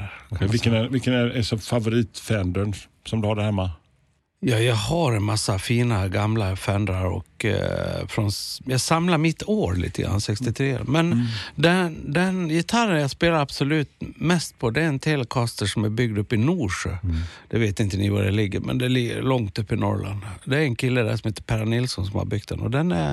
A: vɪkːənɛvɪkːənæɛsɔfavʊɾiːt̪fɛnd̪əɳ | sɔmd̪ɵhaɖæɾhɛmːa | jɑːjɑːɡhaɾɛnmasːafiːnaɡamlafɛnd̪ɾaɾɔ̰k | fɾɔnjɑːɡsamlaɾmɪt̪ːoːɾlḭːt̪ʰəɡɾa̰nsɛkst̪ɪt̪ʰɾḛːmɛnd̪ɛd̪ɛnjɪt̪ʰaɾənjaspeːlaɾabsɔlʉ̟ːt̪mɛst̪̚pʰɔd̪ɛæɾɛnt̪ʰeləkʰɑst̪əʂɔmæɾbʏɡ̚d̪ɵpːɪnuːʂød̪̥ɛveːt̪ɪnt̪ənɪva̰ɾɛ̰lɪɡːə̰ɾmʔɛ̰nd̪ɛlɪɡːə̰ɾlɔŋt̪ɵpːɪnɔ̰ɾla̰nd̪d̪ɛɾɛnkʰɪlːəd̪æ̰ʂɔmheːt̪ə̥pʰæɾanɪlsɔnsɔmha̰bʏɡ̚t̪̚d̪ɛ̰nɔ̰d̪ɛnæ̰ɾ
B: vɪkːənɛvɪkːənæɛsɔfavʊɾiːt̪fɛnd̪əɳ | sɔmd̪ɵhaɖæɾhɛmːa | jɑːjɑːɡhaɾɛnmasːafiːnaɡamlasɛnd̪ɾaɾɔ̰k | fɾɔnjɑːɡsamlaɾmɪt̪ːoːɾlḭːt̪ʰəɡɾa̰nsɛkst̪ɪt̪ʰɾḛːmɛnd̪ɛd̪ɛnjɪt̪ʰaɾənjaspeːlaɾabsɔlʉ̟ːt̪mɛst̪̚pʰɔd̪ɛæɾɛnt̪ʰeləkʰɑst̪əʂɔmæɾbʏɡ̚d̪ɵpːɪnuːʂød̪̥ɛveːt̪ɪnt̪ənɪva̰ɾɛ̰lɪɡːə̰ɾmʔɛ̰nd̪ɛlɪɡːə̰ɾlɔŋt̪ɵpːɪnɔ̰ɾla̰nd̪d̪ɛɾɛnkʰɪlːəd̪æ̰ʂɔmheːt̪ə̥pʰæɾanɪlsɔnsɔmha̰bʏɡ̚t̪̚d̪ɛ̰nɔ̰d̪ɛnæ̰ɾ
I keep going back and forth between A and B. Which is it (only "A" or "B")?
A